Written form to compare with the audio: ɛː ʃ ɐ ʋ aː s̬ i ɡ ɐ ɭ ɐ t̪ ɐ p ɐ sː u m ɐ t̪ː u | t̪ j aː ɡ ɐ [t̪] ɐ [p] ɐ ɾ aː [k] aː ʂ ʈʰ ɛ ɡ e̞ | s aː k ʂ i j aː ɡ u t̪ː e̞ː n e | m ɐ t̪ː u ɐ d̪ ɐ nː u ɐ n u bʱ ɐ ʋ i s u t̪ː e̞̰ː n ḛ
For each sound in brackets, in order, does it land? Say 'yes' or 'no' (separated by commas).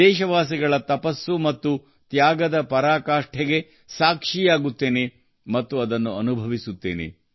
no, yes, yes